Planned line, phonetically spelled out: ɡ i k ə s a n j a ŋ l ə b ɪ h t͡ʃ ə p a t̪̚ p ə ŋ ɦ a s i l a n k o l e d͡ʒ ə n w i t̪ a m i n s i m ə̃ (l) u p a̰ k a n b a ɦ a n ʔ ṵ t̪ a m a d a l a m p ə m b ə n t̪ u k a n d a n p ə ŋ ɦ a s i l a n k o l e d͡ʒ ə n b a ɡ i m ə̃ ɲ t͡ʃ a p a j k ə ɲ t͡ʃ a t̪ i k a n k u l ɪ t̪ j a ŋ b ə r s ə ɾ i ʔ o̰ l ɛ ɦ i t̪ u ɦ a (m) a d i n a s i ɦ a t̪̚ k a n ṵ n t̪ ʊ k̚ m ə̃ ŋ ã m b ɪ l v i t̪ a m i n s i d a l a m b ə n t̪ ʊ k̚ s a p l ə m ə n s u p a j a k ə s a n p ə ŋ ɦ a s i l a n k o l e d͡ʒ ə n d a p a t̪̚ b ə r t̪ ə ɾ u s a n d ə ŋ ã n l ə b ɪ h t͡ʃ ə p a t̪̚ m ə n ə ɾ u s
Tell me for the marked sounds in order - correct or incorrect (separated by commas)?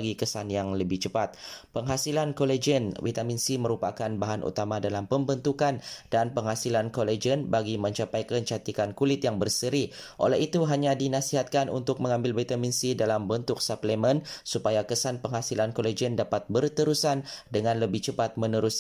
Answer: incorrect, incorrect